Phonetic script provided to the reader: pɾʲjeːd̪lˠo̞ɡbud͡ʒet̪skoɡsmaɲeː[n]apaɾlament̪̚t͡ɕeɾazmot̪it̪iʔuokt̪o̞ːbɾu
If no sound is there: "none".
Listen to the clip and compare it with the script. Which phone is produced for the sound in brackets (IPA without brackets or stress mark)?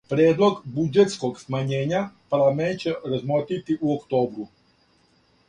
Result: ɲ